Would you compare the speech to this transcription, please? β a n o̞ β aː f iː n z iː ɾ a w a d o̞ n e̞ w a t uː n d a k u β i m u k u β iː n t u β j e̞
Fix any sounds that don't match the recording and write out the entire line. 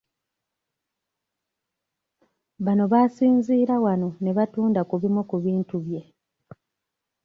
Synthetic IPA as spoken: β a n o̞ β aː s iː n z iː ɾ a w a n o̞ n e̞ β a t uː n d a k u β i m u k u β iː n t u β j e̞